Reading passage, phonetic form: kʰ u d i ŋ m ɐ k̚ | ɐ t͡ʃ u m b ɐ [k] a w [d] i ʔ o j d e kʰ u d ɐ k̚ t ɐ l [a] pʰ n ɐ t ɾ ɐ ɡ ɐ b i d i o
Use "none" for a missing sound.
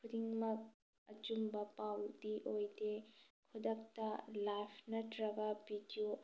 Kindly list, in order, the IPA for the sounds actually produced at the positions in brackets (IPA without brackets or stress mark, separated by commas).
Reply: p, d, a